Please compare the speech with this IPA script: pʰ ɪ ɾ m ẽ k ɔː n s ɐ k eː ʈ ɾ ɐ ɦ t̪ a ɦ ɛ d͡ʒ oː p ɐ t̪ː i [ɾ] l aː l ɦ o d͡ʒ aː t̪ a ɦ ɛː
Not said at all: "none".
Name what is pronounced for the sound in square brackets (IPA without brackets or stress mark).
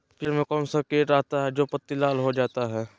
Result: none